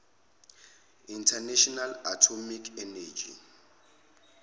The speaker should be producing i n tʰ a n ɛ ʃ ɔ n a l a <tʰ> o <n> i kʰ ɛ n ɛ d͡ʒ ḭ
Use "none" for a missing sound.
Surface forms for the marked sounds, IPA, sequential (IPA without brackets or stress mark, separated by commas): tʰ, m